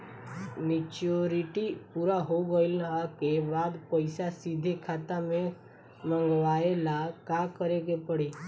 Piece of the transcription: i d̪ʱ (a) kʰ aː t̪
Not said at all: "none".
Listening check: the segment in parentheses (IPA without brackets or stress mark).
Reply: e